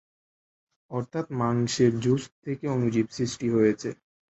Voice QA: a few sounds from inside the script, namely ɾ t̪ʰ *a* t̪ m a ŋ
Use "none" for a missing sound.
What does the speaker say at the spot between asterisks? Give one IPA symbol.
a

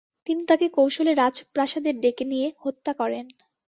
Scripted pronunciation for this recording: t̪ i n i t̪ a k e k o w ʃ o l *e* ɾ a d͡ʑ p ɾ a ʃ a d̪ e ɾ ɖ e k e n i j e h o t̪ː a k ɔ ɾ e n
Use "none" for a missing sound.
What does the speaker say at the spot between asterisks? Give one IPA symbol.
e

